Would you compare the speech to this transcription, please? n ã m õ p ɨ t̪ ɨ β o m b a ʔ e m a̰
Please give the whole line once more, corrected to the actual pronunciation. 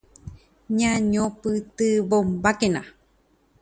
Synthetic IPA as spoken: ɲ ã ɲ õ p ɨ t̪ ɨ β o m b a k e n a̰